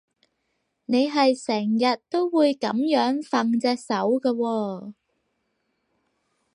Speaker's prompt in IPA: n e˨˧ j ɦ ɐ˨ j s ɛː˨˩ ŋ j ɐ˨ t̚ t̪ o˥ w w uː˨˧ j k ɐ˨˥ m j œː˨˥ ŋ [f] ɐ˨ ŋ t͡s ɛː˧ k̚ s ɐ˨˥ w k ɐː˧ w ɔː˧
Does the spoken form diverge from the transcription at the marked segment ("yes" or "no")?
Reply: no